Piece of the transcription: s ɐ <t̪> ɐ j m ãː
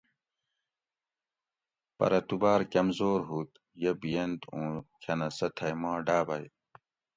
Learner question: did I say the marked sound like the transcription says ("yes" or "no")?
no